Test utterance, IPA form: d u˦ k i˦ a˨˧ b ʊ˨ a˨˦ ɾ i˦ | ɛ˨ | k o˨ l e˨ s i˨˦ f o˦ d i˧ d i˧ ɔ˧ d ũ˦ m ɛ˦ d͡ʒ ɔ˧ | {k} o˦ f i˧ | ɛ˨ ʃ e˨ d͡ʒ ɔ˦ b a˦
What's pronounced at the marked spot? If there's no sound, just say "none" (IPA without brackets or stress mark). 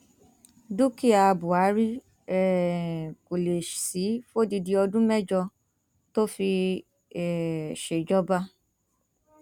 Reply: t